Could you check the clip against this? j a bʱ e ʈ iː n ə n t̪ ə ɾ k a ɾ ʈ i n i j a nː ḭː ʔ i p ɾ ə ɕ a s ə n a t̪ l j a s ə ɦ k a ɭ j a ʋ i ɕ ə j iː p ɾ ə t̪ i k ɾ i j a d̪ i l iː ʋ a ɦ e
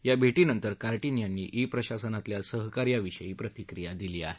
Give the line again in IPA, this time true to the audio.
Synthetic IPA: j a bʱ e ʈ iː n ə n t̪ ə ɾ k a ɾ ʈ i n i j a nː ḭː ʔ i p ɾ ə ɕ a s ə n a t̪ l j a s ə ɦ k a ɾ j a ʋ i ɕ ə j iː p ɾ ə t̪ i k ɾ i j a d̪ i l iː a ɦ e